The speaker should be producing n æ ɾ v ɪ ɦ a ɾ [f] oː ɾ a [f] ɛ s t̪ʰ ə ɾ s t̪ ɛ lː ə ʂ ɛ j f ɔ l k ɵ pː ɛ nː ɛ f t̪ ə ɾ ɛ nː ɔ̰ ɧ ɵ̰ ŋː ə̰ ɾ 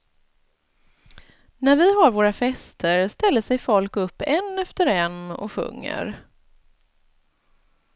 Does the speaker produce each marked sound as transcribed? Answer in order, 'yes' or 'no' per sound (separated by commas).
no, yes